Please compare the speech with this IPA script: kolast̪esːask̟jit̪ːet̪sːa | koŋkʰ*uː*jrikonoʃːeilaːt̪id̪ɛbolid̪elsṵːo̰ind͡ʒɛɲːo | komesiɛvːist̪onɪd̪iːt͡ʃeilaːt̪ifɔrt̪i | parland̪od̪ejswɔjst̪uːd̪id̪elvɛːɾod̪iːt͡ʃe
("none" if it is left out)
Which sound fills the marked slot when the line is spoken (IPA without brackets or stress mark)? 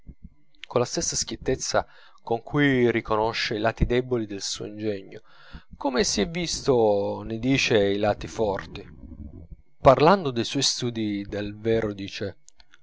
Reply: u